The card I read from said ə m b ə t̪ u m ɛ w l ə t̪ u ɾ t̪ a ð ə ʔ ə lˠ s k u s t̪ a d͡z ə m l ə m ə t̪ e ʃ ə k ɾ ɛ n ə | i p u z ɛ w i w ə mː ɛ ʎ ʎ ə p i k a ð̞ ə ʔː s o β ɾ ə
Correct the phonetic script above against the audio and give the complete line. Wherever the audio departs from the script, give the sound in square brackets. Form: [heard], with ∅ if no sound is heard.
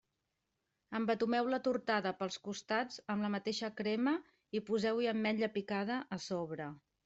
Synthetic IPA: ə m b ə t̪ u m ɛ w l ə t̪ u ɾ t̪ a ð ə [p] ə lˠ s k u s t̪ a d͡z ə m l ə m ə t̪ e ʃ ə k ɾ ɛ [m] ə | i p u z ɛ w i [∅] ə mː ɛ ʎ ʎ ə p i k a ð̞ ə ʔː s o β ɾ ə